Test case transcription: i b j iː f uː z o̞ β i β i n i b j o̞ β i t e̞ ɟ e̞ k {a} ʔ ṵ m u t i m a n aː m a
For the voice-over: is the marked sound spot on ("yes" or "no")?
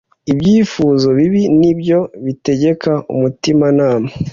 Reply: yes